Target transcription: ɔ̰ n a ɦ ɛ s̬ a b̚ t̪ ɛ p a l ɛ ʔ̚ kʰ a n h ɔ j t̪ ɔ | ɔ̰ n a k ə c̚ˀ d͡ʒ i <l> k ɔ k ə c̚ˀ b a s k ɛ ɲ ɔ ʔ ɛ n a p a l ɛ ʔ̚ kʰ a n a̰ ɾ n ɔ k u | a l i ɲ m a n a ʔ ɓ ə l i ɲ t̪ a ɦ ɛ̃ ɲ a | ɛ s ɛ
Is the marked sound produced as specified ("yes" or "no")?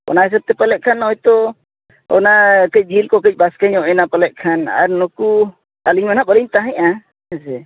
yes